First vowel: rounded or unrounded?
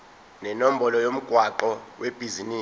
unrounded